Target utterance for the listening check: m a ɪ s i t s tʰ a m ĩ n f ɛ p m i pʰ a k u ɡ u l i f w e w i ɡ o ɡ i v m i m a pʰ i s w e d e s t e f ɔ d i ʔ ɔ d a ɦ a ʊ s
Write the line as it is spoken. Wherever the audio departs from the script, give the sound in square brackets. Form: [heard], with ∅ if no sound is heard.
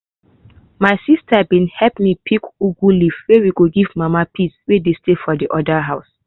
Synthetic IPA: m a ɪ s i [∅] s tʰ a [b] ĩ n [h] ɛ p m i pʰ [i] k u ɡ u l i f w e w i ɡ o ɡ i v m [a] m a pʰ i s w e d e s t e f ɔ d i ʔ ɔ d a ɦ a ʊ s